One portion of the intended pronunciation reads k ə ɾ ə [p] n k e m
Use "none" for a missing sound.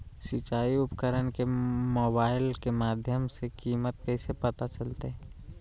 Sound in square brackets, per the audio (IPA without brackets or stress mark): none